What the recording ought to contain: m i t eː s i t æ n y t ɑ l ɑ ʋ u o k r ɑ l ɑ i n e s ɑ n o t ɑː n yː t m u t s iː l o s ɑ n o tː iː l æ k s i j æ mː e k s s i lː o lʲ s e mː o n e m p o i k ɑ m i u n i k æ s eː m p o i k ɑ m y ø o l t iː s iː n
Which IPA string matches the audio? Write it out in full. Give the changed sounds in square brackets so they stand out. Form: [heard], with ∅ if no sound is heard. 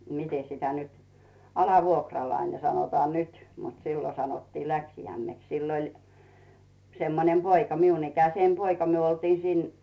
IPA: m i t [e] s i t æ n y t ɑ l ɑ ʋ u o k r ɑ l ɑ i n e s ɑ n o t ɑː n [y] t m u t s iː l o s ɑ n o tː iː l æ k s i j æ mː e k s s i lː o lʲ s e mː o n e m p o i k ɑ m i u n i k æ s eː m p o i k ɑ m y ø o l t iː s iː n